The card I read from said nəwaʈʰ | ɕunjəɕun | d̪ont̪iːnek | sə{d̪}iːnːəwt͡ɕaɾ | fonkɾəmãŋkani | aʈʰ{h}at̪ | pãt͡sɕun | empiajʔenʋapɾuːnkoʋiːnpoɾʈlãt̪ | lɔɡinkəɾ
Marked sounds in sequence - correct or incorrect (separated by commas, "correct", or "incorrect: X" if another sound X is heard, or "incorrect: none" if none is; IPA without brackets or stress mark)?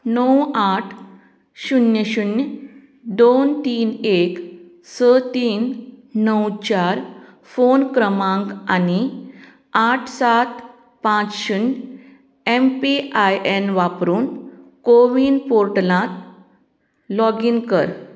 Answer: incorrect: t̪, incorrect: s